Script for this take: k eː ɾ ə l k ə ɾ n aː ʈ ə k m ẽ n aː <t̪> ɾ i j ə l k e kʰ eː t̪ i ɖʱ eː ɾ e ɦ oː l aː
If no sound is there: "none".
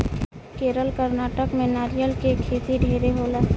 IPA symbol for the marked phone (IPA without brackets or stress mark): none